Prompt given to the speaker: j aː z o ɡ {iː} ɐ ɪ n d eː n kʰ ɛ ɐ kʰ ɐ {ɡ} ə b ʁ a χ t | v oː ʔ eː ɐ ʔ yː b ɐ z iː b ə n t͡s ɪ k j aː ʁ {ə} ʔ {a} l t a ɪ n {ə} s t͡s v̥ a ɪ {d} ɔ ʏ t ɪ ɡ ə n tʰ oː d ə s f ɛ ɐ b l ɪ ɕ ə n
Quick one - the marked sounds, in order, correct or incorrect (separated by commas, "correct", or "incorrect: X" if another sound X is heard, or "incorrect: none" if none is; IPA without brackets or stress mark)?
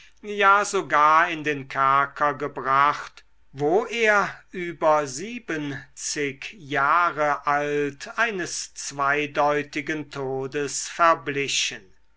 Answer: incorrect: aː, correct, correct, correct, correct, correct